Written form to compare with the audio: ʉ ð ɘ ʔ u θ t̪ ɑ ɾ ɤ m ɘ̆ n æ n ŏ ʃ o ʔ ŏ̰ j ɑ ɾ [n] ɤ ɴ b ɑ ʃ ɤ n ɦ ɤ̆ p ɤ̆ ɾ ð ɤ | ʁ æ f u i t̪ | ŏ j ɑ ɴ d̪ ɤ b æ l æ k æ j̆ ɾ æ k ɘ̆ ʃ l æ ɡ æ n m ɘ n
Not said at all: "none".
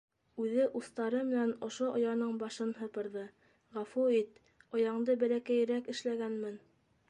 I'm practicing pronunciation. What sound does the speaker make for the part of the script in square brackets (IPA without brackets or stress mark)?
n